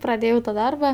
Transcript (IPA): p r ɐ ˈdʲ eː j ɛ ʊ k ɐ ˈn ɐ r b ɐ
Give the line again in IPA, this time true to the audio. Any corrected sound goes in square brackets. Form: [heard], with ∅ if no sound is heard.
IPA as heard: p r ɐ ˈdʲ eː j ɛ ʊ [t] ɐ [ˈd] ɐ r b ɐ